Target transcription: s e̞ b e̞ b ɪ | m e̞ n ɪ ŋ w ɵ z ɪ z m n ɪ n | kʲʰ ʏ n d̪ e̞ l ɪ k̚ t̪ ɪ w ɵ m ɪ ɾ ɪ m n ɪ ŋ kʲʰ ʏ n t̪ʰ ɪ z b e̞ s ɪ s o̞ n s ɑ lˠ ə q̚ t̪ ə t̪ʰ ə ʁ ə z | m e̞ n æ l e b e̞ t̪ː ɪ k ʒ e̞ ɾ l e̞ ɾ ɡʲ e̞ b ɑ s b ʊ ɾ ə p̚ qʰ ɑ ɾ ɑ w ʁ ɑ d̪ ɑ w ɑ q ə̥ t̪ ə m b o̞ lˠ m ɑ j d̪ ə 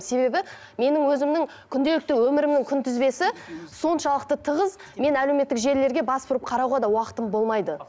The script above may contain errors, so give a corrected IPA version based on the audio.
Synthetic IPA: s e̞ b e̞ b ɪ | m e̞ n ɪ ŋ w ɵ z ɪ m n ɪ ŋ | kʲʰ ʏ n d̪ e̞ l ɪ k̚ t̪ ɪ w ɵ m ɪ ɾ ɪ m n ɪ ŋ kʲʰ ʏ n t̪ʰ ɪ z b e̞ s ɪ s o̞ n ʃ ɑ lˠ ə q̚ t̪ ə t̪ʰ ə ʁ ə z | m e̞ n æ l e m e̞ t̪ː ɪ k ʒ e̞ ɾ l e̞ ɾ ɡʲ e̞ b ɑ s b ʊ ɾ ə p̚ qʰ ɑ ɾ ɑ w ʁ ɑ d̪ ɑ w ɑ q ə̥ t̪ ə m b o̞ lˠ m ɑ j d̪ ə